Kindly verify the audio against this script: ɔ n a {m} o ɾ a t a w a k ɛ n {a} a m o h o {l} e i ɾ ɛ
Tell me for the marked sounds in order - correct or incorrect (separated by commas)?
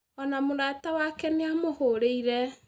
correct, incorrect, incorrect